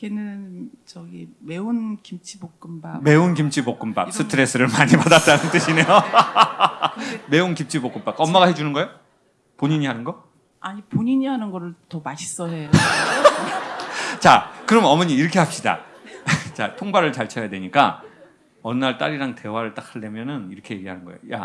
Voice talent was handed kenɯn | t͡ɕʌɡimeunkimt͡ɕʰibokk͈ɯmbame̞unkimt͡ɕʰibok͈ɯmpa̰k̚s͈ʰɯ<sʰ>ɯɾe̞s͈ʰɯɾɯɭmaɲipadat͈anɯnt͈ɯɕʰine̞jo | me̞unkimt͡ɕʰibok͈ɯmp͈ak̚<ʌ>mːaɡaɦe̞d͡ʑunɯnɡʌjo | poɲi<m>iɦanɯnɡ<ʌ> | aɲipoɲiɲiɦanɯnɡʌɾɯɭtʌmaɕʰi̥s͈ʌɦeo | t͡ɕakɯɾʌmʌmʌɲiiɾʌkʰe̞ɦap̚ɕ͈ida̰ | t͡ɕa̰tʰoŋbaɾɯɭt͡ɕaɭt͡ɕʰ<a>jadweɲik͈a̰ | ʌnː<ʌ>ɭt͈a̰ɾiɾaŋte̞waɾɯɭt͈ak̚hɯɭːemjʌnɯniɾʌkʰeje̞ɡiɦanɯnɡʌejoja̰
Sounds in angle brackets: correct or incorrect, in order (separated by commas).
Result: incorrect, correct, incorrect, correct, incorrect, incorrect